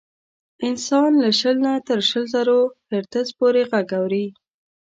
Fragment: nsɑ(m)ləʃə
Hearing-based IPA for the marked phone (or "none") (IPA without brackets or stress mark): n